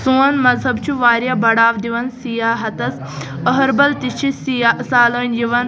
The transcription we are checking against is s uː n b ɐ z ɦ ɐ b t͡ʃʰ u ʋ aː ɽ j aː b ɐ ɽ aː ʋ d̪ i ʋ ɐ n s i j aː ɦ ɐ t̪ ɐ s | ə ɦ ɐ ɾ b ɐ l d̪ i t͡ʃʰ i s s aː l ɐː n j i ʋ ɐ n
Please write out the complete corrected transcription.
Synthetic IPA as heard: s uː n m ɐ z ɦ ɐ b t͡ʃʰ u ʋ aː ɾ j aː b ɐ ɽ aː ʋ d̪ i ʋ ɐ n s i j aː ɦ ɐ t̪ ɐ s | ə ɦ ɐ ɾ b ɐ l t̪ i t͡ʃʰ i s s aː l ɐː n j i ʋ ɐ n